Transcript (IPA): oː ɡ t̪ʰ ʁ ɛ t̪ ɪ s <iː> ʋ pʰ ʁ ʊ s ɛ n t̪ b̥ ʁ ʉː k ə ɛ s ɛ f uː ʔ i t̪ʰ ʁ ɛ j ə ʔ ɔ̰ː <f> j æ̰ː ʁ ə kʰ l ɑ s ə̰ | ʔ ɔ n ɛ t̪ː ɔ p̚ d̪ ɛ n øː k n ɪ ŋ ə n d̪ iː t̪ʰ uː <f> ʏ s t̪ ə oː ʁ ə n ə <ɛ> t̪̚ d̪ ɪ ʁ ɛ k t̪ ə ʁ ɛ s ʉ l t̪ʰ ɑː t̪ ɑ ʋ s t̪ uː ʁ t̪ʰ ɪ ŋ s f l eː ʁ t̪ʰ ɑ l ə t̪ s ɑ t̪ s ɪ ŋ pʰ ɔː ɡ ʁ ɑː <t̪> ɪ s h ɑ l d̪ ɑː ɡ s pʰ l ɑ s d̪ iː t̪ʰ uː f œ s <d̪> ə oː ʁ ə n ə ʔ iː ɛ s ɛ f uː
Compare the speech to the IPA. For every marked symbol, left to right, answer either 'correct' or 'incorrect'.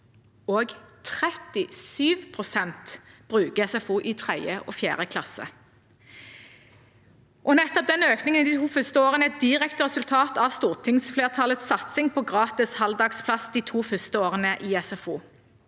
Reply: incorrect: yː, correct, correct, correct, correct, incorrect: t̪

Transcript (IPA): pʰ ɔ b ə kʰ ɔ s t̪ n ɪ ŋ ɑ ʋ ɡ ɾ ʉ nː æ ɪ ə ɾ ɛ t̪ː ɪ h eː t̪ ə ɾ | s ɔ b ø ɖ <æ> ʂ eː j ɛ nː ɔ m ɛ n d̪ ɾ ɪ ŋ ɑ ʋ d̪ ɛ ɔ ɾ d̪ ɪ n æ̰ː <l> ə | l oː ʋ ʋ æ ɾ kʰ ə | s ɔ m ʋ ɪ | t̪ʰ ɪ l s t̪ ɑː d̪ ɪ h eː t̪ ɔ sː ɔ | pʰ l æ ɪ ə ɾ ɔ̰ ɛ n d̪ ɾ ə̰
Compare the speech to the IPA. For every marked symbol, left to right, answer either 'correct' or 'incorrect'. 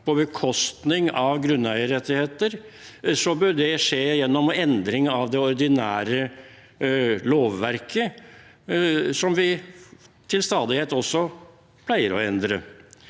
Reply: incorrect: ɛ, incorrect: ɾ

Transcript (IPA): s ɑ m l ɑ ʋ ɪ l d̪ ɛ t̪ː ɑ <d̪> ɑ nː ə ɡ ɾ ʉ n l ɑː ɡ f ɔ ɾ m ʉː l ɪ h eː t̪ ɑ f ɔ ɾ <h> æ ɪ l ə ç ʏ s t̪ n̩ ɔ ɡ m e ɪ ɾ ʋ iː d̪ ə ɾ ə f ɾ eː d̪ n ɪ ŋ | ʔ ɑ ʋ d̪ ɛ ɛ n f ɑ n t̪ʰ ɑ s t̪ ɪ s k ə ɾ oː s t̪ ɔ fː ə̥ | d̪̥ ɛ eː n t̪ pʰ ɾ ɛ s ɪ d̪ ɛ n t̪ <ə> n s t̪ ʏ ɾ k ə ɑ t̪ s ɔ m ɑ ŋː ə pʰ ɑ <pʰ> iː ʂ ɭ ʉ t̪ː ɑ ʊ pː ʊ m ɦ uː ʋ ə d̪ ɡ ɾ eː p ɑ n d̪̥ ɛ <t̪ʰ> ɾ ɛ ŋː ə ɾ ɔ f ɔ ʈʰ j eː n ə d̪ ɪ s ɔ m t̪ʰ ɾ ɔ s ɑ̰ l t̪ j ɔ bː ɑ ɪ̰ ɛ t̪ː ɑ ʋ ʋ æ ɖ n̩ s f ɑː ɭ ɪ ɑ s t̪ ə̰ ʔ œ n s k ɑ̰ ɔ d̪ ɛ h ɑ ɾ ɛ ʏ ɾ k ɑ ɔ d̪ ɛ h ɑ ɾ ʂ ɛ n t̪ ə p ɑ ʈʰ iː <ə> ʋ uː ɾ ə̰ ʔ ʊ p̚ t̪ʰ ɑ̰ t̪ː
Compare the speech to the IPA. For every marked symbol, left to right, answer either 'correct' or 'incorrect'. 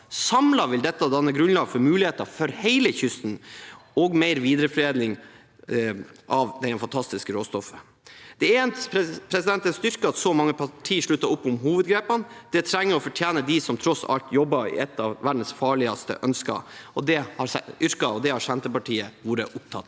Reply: correct, correct, correct, incorrect: ʈʰ, correct, correct

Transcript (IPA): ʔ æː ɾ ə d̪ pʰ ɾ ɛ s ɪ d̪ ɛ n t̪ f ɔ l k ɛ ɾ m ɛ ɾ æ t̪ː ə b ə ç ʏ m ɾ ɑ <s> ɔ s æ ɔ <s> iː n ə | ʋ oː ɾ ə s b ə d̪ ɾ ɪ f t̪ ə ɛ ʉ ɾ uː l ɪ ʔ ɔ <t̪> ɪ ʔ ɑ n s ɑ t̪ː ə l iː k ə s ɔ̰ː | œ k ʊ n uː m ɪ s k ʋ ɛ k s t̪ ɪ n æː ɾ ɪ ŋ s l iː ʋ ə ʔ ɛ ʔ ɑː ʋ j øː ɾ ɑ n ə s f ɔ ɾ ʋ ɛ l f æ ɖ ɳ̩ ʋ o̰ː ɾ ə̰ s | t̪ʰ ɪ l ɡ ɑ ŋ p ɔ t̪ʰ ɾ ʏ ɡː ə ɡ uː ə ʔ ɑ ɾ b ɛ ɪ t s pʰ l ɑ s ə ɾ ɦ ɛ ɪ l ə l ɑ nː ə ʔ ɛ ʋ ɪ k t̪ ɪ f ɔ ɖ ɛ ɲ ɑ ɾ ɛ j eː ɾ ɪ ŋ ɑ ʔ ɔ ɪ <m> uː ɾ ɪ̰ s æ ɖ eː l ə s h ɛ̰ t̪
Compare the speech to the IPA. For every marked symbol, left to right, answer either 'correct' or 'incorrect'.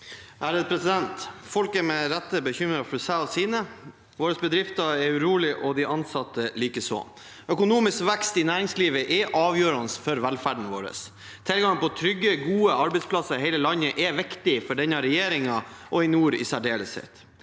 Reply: incorrect: f, correct, incorrect: d̪, incorrect: n

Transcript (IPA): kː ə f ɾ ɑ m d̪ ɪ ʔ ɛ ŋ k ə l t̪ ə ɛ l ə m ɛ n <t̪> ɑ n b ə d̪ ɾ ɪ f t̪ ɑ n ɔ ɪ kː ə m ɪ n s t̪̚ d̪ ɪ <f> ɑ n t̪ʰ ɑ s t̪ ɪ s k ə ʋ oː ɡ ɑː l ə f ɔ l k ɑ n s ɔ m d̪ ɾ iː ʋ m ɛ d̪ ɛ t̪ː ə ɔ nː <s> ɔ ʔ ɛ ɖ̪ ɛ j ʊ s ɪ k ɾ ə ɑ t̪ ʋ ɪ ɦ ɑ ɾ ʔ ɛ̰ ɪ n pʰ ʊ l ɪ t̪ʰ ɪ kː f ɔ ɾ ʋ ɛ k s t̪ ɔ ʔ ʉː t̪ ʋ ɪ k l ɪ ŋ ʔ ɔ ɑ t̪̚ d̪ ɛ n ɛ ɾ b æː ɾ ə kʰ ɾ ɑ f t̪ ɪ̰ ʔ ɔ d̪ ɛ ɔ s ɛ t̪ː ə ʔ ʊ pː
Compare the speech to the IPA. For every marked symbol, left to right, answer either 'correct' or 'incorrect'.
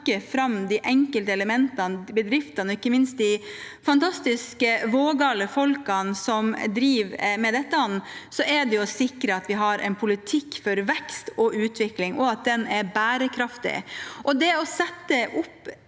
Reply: correct, correct, correct

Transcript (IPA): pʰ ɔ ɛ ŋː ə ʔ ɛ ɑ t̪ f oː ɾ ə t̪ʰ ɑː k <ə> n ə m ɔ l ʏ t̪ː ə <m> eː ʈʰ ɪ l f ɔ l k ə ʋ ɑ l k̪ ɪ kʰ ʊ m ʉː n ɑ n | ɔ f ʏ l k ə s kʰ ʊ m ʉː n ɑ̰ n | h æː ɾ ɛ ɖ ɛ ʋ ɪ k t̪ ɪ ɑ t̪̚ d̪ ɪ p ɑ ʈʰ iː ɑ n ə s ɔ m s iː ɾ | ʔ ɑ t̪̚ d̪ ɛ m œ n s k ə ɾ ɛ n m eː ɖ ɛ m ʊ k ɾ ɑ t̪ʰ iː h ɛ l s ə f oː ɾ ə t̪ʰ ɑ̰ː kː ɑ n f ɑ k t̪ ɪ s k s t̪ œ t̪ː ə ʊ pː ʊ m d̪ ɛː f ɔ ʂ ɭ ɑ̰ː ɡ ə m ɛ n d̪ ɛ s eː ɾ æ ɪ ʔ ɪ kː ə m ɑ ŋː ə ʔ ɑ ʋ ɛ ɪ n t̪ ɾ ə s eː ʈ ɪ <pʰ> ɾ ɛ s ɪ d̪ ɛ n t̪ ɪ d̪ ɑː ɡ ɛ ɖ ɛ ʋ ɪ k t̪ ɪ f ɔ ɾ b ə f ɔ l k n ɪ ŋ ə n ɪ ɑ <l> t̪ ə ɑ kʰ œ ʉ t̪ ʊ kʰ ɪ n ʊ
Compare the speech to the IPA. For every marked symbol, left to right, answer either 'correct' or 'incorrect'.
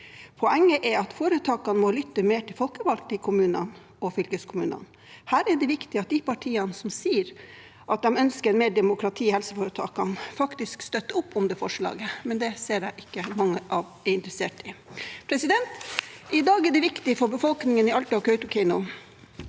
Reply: incorrect: ɑ, correct, correct, correct

